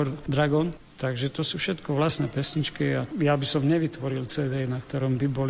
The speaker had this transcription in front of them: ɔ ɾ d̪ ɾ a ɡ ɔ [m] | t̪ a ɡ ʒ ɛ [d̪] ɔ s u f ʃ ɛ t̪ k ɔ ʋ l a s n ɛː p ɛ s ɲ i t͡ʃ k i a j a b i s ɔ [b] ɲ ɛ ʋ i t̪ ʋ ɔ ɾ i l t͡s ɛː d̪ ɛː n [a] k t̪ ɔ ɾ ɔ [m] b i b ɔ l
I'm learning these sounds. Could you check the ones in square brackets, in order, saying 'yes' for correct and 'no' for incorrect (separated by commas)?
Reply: no, no, no, yes, yes